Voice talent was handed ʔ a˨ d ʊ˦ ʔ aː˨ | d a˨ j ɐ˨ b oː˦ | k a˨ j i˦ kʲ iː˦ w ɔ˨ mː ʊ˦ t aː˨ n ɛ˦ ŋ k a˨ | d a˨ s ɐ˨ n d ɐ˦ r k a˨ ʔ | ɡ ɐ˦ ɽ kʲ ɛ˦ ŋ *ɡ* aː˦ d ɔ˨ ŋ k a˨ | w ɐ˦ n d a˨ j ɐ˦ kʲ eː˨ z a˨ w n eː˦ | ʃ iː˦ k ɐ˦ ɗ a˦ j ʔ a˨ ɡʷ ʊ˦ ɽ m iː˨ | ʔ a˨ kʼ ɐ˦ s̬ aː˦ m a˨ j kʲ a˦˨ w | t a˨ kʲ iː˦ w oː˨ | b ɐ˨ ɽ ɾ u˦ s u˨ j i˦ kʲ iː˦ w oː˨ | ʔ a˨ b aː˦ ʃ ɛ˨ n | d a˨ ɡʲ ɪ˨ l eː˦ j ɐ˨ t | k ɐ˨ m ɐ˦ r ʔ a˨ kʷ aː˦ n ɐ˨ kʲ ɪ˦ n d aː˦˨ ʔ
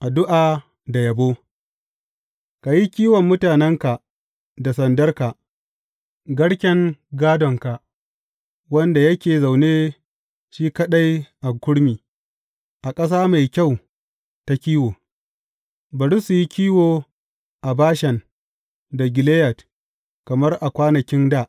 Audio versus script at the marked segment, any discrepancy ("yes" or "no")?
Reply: no